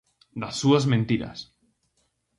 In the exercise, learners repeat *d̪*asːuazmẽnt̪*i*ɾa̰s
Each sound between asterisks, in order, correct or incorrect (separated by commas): correct, correct